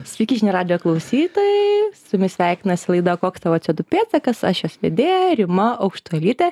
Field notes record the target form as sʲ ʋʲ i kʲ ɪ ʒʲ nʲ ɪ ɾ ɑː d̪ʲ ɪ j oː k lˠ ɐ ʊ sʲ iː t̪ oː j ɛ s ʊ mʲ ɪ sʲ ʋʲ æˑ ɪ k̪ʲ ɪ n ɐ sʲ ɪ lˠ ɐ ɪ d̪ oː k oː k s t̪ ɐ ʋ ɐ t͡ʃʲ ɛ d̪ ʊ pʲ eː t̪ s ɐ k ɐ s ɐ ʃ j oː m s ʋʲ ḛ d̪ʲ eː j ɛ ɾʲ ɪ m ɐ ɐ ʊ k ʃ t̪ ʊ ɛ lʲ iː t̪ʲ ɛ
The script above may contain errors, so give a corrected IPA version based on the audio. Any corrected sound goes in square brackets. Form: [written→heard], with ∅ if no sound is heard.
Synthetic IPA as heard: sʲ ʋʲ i kʲ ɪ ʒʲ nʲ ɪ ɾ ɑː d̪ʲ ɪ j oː k lˠ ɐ ʊ sʲ iː t̪ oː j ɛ s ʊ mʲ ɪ sʲ ʋʲ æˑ ɪ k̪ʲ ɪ n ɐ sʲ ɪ lˠ ɐ ɪ d̪ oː k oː k s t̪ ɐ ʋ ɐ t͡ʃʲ ɛ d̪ ʊ pʲ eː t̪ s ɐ k ɐ s ɐ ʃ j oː [m→∅] s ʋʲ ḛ d̪ʲ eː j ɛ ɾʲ ɪ m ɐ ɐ ʊ k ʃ t̪ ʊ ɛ lʲ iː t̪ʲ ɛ